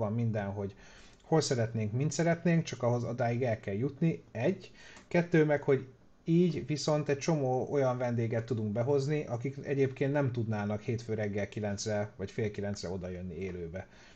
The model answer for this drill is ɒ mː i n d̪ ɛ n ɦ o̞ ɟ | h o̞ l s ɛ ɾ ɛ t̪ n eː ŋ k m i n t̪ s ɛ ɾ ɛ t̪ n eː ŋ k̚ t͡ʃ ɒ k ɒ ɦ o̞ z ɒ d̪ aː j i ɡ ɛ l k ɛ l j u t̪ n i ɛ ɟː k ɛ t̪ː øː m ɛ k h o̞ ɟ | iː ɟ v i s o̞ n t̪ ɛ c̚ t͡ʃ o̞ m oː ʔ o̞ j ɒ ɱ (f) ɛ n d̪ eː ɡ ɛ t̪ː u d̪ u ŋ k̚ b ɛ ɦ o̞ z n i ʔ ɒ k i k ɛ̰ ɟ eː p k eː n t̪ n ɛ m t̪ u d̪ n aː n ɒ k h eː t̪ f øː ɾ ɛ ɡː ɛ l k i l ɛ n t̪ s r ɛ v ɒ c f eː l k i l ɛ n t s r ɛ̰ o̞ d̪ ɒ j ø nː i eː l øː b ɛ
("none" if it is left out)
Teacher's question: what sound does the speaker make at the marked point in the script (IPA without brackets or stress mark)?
v